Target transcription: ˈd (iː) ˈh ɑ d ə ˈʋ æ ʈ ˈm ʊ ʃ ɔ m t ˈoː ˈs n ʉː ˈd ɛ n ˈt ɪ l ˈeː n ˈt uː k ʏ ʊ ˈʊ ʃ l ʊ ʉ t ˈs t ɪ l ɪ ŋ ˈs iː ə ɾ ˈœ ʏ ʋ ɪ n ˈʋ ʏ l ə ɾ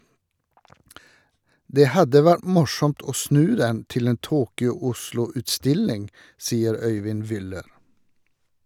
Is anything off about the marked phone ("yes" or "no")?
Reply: yes